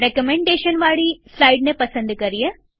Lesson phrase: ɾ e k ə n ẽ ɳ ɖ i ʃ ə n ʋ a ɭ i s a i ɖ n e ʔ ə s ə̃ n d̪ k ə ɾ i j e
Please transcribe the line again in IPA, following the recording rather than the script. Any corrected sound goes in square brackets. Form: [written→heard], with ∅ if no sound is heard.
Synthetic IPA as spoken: ɾ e k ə [n→m] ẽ ɳ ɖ [i→e] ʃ ə n ʋ a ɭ i s a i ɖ n e [ʔ→p] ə s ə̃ n d̪ k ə ɾ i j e

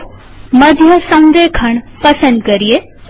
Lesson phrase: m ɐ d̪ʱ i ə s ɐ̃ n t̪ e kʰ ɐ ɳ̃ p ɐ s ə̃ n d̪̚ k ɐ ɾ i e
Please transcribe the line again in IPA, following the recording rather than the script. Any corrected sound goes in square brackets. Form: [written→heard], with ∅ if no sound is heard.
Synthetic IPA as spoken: m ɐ d̪ʱ [i→j] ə s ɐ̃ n [t̪→d̪] e kʰ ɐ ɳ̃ p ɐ s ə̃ n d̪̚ k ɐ ɾ i e

